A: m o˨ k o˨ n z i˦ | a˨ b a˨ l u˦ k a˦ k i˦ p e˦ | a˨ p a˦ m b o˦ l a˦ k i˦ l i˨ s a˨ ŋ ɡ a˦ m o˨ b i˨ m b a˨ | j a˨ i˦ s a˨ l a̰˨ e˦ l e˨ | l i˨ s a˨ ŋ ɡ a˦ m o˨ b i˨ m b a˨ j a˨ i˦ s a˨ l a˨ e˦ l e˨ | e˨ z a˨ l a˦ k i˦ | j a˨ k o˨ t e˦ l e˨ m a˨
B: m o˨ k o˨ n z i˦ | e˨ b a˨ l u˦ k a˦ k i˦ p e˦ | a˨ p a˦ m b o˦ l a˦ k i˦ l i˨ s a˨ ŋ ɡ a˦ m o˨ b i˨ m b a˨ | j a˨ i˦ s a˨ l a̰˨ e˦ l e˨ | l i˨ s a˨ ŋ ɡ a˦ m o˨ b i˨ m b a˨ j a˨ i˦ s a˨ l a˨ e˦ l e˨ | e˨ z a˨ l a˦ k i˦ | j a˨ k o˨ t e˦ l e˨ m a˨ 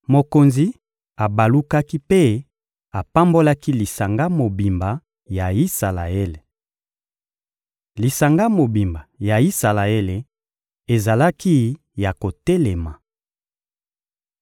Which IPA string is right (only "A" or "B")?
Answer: A